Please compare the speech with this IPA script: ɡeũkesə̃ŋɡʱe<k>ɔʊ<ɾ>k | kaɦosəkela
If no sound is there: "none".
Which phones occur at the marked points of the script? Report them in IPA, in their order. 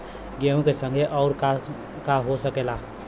ʔ, ɾ

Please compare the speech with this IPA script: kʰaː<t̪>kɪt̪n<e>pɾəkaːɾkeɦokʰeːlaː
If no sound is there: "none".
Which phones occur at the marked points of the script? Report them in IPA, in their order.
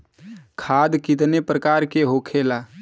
d̪, e

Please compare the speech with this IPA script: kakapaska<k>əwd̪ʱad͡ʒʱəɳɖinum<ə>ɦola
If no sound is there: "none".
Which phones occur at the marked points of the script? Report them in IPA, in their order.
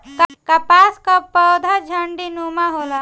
p, a

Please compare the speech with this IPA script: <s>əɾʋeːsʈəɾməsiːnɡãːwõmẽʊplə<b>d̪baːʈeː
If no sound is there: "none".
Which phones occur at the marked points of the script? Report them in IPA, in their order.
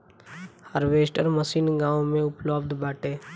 h, b

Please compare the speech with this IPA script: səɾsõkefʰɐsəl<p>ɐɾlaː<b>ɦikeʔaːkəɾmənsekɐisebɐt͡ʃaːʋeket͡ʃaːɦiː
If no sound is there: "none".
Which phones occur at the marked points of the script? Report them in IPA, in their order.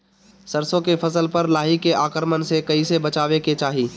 p, none

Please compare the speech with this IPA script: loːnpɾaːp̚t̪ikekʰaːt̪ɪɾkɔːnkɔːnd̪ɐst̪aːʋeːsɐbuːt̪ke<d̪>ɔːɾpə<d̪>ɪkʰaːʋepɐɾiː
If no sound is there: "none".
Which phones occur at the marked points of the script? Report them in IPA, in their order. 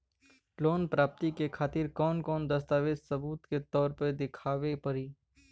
t̪, d̪

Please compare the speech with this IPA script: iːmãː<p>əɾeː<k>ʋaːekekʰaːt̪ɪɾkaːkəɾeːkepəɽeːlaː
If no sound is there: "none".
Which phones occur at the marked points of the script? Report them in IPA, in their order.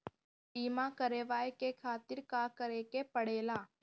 k, none

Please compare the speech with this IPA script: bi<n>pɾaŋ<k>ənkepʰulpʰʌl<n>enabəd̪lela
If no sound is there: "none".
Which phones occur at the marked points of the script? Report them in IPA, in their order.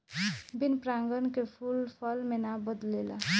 n, ɡ, m

